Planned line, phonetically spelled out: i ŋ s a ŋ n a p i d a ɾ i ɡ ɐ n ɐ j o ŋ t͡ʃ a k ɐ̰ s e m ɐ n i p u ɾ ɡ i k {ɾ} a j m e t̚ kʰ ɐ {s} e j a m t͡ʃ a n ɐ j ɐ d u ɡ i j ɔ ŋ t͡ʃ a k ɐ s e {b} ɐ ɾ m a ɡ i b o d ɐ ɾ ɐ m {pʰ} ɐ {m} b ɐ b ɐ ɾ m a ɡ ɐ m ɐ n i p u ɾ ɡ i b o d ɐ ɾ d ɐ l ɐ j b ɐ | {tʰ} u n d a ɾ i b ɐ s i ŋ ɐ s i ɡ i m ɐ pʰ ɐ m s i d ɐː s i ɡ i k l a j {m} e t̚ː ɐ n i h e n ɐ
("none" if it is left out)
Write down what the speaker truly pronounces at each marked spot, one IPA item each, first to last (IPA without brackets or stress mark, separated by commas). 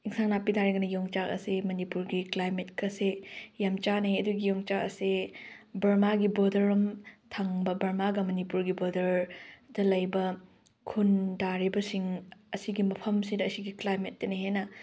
l, s, b, tʰ, ŋ, kʰ, m